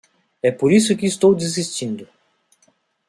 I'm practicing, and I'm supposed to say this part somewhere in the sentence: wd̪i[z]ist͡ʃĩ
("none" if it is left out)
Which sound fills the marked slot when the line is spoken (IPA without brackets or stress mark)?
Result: z